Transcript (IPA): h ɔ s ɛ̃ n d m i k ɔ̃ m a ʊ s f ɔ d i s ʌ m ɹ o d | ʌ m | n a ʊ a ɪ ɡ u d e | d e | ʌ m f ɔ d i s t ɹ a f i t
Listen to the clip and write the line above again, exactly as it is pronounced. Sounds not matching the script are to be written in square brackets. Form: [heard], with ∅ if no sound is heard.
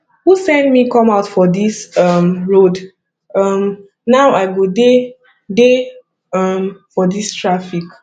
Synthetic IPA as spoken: h [u] s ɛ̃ n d m i k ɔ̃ m a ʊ [t] f ɔ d i s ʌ m ɹ o d | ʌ m | n a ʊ a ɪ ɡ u d e | d e | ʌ m f ɔ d i s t ɹ a f i [k]